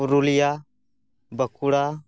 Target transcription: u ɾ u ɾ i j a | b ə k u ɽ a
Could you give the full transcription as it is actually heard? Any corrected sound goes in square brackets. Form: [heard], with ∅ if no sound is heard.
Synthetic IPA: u ɾ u [l] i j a | b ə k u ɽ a